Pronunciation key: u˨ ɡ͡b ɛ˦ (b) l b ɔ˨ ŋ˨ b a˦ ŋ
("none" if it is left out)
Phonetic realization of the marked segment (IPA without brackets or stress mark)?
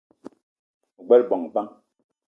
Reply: none